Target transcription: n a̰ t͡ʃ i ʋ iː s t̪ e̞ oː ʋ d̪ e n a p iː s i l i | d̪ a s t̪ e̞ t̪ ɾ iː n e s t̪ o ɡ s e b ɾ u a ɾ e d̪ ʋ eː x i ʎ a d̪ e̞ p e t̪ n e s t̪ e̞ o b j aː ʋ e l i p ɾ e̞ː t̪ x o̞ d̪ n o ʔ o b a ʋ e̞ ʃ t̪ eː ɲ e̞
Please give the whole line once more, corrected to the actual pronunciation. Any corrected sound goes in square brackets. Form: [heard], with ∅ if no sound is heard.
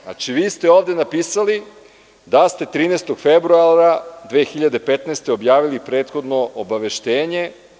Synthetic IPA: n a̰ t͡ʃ i ʋ iː s t̪ e̞ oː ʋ d̪ e n a p iː s [a] l i | d̪ a s t̪ e̞ t̪ ɾ iː n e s t̪ o ɡ [f] e b ɾ u a ɾ [a] d̪ ʋ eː x i ʎ a d̪ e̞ p e t̪ n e s t̪ e̞ o b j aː ʋ [i] l i p ɾ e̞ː t̪ x o̞ d̪ n o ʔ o b a ʋ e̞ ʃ t̪ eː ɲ e̞